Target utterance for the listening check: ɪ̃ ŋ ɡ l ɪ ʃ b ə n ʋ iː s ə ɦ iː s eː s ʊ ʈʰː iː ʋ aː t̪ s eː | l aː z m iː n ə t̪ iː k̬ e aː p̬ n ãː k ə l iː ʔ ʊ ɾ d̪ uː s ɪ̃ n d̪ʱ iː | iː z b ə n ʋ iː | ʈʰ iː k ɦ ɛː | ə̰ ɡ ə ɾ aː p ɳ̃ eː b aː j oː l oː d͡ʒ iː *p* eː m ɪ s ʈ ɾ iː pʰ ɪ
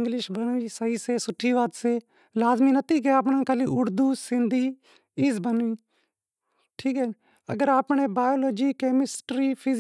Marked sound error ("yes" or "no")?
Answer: yes